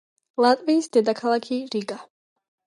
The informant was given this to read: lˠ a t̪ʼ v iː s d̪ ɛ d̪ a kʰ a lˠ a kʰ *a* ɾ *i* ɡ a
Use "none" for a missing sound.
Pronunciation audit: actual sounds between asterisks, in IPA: i, i

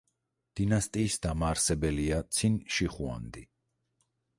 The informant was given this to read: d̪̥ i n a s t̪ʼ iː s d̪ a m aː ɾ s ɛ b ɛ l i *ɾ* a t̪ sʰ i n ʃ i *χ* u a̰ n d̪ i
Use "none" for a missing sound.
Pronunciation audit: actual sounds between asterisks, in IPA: none, χ

